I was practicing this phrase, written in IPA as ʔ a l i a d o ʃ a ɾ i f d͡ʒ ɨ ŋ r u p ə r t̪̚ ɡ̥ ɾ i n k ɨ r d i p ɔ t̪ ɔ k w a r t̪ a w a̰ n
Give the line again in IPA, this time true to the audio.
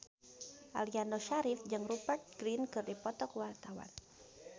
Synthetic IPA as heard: ʔ a l i a n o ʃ a ɾ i f d͡ʒ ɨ ŋ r u p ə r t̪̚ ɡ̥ ɾ i n k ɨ r d i p ɔ t̪ ɔ k w a r t̪ a w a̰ n